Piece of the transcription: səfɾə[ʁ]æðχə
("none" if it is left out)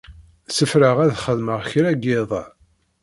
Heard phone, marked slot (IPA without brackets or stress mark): ʁ